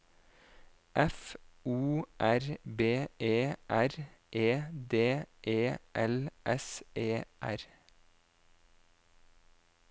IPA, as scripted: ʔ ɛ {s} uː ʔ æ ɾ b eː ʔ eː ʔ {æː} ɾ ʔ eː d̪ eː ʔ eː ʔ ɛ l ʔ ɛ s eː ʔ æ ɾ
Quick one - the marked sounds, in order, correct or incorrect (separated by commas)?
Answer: incorrect, incorrect